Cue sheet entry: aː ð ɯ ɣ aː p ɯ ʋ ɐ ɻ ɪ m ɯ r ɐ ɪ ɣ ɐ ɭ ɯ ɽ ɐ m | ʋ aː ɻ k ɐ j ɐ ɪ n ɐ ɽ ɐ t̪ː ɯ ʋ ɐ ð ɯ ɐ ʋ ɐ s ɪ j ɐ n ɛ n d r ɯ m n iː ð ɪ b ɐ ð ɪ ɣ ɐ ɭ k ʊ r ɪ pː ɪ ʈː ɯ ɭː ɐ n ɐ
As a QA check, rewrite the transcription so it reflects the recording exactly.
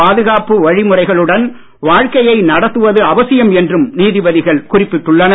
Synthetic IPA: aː ð ɯ ɣ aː p ɯ ʋ ɐ ɻ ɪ m ɯ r ɐ ɪ ɣ ɐ ɭ ɯ ɽ ɐ n | ʋ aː ɻ k ɐ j ɐ ɪ n ɐ ɽ ɐ t̪ː ɯ ʋ ɐ ð ɯ ɐ ʋ ɐ s ɪ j ɐ m ɛ n d r ɯ m n iː ð ɪ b ɐ ð ɪ ɣ ɐ ɭ k ʊ r ɪ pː ɪ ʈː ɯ ɭː ɐ n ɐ